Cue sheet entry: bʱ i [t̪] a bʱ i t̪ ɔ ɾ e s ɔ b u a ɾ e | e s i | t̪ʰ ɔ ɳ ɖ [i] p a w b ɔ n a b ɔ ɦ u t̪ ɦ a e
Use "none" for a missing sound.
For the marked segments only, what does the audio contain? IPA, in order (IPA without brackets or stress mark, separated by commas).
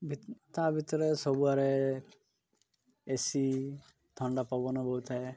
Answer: t̪, a